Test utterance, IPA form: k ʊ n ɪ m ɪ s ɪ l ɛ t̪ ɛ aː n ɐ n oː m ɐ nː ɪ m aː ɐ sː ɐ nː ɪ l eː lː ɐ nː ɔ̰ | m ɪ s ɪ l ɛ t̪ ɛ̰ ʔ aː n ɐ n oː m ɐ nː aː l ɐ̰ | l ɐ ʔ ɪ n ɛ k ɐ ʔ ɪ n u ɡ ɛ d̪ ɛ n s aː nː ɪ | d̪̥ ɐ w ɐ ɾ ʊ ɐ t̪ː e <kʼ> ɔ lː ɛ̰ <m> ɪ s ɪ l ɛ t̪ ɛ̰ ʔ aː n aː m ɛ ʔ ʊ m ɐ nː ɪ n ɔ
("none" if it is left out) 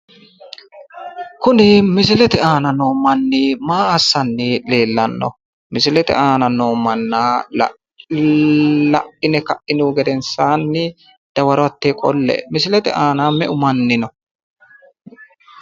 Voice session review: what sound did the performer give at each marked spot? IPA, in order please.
kʼ, m

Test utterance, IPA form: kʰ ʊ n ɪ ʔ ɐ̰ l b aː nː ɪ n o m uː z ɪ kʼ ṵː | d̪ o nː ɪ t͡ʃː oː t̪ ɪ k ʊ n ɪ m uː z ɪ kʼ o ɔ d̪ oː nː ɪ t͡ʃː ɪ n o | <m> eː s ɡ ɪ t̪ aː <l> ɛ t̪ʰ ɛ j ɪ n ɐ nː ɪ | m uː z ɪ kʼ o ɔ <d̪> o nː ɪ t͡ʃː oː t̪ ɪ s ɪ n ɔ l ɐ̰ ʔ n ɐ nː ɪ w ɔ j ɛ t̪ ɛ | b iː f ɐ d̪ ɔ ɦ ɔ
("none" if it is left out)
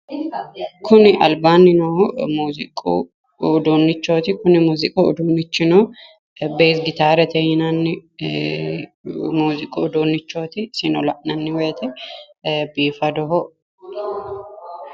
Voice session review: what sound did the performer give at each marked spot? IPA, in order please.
b, ɾ, d̪

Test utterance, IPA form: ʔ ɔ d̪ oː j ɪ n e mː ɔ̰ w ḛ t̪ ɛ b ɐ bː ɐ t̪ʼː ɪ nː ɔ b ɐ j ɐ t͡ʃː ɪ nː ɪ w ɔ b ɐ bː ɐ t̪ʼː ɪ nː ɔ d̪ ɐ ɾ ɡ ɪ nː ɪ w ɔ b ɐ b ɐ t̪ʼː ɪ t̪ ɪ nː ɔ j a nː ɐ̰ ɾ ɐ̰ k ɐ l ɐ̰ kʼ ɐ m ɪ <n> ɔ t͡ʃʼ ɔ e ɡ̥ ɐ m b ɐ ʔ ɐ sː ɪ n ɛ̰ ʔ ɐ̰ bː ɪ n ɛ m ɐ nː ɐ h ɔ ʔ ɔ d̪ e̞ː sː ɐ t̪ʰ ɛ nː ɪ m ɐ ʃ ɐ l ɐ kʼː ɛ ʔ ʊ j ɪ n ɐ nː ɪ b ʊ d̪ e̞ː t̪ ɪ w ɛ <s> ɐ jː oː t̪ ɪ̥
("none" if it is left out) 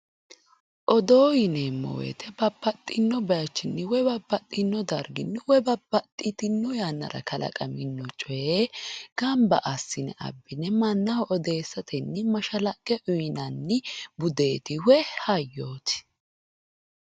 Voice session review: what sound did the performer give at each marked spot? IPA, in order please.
nː, h

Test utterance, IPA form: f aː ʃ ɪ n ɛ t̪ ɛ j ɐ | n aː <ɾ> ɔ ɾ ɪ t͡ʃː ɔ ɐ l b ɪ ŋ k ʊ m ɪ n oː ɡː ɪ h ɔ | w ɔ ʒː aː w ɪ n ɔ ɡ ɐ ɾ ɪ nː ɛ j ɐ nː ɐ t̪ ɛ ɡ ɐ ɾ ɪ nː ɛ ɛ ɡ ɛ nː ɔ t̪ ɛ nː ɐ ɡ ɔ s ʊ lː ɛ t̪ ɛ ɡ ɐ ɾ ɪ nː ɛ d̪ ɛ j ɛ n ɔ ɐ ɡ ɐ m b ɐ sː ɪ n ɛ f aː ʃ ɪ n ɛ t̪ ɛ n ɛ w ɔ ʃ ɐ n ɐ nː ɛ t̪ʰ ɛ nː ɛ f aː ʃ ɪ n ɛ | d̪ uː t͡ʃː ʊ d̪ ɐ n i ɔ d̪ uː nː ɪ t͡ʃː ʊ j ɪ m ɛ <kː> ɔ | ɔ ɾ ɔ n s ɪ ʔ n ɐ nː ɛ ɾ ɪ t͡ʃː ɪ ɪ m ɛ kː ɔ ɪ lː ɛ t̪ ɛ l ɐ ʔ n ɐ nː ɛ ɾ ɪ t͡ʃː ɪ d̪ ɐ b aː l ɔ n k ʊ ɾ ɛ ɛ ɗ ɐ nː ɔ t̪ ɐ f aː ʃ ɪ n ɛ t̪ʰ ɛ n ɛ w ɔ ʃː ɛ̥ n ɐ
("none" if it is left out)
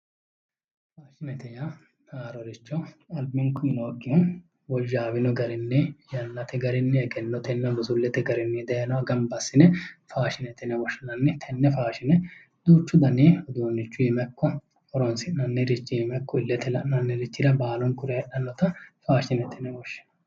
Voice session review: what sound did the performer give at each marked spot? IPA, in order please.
ɾ, kː

